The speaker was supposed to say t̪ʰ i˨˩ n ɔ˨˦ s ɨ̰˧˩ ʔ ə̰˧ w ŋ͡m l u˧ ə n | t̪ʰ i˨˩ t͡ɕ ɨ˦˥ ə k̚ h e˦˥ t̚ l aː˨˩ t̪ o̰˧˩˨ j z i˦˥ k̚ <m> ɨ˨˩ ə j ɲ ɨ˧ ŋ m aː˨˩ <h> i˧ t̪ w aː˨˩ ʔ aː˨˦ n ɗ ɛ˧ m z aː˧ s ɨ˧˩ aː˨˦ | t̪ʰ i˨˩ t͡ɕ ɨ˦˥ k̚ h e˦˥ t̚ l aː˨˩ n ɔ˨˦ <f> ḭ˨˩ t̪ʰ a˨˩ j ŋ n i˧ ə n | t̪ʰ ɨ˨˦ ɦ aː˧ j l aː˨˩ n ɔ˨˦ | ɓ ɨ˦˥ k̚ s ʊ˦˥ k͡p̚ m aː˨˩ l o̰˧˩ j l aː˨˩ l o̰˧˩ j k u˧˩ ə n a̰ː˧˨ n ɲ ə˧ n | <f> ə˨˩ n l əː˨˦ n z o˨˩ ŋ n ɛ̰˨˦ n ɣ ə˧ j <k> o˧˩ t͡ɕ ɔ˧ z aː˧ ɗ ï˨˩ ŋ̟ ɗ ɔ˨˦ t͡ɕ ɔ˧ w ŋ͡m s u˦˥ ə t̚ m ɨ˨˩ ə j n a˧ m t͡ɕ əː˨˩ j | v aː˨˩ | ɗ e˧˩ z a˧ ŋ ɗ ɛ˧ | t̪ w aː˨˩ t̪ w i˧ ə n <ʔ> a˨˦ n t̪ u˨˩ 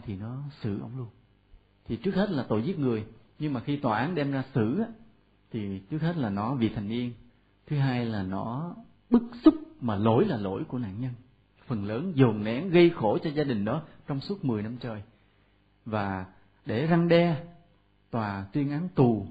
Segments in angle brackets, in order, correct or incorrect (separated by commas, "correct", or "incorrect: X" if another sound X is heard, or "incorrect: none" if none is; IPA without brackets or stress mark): incorrect: ŋ, incorrect: x, incorrect: v, correct, incorrect: x, correct